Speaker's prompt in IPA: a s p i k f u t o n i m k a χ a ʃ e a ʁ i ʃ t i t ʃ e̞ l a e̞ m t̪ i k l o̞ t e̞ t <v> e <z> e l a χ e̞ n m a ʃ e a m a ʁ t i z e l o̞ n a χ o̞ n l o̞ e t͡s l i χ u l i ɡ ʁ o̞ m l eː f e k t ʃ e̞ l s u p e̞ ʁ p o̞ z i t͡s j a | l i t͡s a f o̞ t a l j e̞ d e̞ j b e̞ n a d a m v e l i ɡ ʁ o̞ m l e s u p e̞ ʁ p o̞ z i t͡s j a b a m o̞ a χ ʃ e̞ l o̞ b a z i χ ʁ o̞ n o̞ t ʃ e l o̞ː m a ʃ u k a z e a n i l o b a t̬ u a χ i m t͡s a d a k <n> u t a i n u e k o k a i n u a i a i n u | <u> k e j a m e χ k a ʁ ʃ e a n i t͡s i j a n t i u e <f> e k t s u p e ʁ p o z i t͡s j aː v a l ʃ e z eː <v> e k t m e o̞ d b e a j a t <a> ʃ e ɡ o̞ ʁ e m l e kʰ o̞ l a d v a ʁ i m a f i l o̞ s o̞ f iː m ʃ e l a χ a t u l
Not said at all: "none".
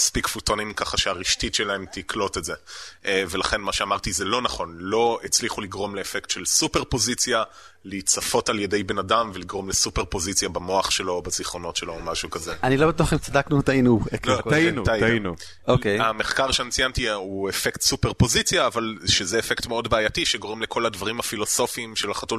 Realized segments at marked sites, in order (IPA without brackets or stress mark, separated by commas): z, v, n, o, f, f, i